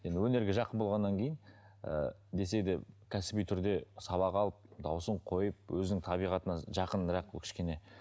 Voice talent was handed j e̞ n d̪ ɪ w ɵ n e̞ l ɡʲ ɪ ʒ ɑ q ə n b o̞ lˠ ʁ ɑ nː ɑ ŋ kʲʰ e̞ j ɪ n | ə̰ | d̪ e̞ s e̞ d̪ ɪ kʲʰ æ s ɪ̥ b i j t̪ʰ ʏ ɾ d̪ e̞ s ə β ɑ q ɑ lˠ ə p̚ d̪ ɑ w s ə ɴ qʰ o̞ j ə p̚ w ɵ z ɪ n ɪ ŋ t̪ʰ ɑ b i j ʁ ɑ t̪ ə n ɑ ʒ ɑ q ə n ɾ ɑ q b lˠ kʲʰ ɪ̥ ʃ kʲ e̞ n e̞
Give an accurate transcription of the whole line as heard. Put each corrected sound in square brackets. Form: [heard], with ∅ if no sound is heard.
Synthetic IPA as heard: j e̞ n d̪ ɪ w ɵ n e̞ [ɾ] ɡʲ ɪ ʒ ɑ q ə n b o̞ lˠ ʁ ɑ nː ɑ ŋ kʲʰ e̞ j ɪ n | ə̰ | d̪ e̞ s e̞ d̪ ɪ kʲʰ æ s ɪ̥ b i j t̪ʰ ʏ ɾ d̪ e̞ s [ɑ] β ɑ q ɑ lˠ ə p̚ d̪ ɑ w s ə ɴ qʰ o̞ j ə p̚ w ɵ z ɪ n ɪ ŋ t̪ʰ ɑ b i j ʁ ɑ t̪ ə n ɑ ʒ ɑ q ə n ɾ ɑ q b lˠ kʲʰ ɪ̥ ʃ kʲ e̞ n e̞